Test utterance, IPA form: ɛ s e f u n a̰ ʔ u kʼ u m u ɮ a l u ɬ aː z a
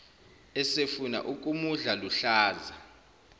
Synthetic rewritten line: ɛ s e f u n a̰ ʔ u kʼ u m u ɮ a l u ɬ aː z a